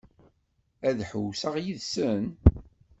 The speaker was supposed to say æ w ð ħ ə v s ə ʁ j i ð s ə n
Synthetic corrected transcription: æ ð ħ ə w s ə ʁ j i ð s ə n

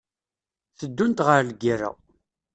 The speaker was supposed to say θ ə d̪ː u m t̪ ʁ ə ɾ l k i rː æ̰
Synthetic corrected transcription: θ ə d̪ː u n t̪ ʁ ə ɾ l ɡ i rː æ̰

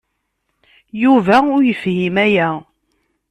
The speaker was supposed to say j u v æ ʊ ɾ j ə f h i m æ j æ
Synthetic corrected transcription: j u v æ ʊ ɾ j ə f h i m æ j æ

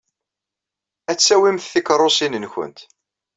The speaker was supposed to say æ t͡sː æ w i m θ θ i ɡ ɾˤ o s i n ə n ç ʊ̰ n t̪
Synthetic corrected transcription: æ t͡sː æ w i m θ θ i k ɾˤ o s i n ə n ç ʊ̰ n t̪

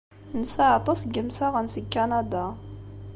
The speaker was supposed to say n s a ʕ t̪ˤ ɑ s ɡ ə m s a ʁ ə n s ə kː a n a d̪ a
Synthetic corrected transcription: n s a ʕ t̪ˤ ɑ s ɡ ə m s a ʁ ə n s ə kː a n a d̪ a

